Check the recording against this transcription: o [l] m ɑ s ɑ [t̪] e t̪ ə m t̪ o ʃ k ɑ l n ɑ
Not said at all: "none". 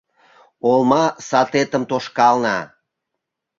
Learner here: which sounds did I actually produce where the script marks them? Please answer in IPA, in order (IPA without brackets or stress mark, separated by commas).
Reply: l, t̪